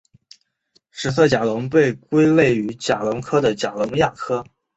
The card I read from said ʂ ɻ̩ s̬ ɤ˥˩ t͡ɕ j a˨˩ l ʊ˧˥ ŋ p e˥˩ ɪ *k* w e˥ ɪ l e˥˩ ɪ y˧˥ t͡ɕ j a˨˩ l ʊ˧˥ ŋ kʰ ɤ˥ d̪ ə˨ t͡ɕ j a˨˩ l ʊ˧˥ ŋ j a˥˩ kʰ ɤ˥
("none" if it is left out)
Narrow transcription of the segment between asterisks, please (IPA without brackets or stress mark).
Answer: k